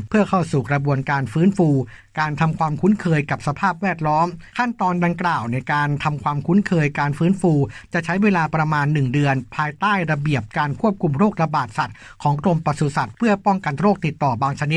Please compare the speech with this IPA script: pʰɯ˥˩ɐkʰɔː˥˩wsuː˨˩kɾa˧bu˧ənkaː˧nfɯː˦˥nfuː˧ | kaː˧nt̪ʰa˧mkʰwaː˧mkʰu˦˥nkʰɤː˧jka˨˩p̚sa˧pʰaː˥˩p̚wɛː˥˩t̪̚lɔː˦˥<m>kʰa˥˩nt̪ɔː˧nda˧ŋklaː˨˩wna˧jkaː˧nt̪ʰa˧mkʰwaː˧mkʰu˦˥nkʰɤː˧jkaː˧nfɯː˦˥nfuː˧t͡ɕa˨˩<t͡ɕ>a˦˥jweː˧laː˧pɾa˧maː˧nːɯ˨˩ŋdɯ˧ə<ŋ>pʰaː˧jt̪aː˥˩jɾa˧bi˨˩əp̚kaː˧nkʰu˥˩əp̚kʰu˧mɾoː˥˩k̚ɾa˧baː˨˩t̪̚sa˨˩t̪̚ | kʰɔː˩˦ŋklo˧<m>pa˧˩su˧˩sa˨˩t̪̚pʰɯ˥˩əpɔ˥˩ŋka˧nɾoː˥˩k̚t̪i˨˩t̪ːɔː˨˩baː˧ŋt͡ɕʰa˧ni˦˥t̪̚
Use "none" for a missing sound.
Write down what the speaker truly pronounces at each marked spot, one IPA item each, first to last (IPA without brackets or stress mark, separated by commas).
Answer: m, t͡ɕʰ, n, m